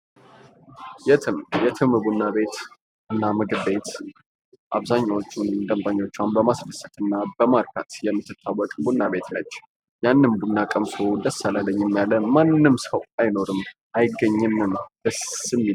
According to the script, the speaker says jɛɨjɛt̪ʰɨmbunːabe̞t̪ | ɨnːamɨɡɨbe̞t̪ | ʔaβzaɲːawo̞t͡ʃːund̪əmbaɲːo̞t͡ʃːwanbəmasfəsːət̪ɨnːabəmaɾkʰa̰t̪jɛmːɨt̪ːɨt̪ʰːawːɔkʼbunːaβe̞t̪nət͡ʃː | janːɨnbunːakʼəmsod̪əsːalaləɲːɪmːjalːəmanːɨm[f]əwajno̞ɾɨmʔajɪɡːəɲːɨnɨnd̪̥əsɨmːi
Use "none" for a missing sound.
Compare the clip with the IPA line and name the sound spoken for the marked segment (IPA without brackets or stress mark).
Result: s